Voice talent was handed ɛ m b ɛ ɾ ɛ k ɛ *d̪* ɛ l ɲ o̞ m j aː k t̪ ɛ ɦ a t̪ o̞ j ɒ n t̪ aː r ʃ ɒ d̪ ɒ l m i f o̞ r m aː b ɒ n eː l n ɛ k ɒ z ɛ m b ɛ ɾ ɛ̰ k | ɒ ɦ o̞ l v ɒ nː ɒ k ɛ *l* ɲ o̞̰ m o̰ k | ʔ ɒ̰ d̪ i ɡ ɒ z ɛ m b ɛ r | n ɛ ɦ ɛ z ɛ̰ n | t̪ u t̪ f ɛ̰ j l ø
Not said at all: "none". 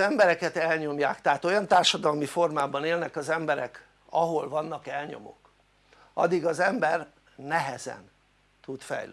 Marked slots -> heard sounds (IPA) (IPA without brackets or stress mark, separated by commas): t̪, l